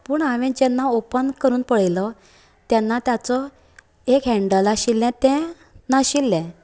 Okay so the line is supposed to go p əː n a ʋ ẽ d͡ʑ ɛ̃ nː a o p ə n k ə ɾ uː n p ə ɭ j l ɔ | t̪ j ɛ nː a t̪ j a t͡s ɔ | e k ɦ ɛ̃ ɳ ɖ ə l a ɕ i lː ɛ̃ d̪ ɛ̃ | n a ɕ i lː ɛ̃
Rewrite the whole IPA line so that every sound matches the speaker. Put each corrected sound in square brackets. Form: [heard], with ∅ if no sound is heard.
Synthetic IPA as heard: p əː [ɳ] a ʋ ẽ d͡ʑ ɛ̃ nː a o p ə n k ə ɾ uː n p ə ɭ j l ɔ | t̪ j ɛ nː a t̪ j a t͡s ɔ | e k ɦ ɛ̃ ɳ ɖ ə l a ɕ i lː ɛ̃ [t̪] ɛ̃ | n a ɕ i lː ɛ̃